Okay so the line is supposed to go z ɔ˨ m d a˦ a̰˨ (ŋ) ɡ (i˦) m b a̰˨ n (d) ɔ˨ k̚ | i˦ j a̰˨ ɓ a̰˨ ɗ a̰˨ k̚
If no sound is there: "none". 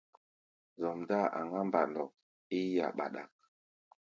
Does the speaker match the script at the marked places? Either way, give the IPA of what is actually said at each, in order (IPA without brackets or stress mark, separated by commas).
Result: ŋ, a˦, d